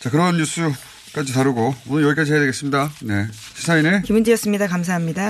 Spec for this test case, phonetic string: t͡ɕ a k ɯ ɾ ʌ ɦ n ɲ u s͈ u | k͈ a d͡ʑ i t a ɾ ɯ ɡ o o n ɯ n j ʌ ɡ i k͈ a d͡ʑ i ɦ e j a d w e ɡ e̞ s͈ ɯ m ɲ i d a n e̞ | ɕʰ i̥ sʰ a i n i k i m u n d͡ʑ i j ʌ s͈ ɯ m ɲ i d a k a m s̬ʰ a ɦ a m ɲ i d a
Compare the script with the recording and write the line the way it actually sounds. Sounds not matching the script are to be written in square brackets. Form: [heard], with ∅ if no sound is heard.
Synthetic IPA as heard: t͡ɕ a k ɯ ɾ ʌ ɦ n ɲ u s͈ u | k͈ a d͡ʑ i t a ɾ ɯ ɡ o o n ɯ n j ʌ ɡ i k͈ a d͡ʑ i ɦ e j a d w e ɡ e̞ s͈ ɯ m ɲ i d a n e̞ | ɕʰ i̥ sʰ a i n [e] k i m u n d͡ʑ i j ʌ s͈ ɯ m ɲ i d a k a m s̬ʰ a ɦ a m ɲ i d a